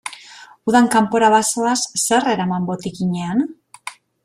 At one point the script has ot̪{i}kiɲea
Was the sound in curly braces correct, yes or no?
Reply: yes